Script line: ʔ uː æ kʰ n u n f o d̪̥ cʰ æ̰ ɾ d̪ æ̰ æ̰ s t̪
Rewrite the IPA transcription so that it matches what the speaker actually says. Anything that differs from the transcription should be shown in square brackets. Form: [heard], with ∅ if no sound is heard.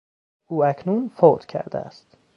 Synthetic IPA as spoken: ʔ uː æ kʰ n u n f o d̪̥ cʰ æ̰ ɾ d̪ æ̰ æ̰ s t̪